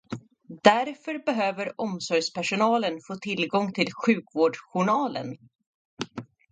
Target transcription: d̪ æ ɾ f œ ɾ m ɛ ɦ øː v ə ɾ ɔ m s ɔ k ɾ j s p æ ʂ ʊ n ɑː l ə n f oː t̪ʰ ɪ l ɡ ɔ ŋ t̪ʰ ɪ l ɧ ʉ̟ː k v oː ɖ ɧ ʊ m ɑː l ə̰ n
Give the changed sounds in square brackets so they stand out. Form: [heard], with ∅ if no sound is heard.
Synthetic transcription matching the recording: d̪ æ ɾ f œ ɾ [b] ɛ ɦ øː v ə ɾ ɔ m s ɔ [∅] ɾ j s p æ ʂ ʊ n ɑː l ə n f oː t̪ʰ ɪ l ɡ ɔ ŋ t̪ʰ ɪ l ɧ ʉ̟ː k v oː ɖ ɧ ʊ [ɳ] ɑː l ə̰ n